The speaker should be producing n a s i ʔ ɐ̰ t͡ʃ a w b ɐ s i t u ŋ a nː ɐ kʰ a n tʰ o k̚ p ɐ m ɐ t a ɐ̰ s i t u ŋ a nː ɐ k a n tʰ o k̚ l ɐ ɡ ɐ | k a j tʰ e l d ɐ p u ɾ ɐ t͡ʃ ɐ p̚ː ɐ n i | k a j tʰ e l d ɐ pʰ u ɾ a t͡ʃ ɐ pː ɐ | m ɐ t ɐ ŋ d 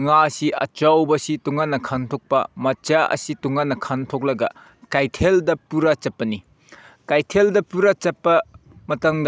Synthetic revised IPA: ŋ a s i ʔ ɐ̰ t͡ʃ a w b ɐ s i t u ŋ a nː ɐ kʰ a n tʰ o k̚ p ɐ m ɐ t͡ʃ a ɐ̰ s i t u ŋ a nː ɐ kʰ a n tʰ o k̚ l ɐ ɡ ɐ | k a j tʰ e l d ɐ p u ɾ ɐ t͡ʃ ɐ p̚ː ɐ n i | k a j tʰ e l d ɐ p u ɾ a t͡ʃ ɐ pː ɐ | m ɐ t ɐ ŋ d